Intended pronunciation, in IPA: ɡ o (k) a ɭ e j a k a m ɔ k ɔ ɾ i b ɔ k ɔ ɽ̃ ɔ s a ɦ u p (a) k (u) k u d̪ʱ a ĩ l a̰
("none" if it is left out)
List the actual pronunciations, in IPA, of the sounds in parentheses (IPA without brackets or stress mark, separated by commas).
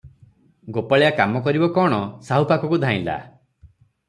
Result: p, a, ɔ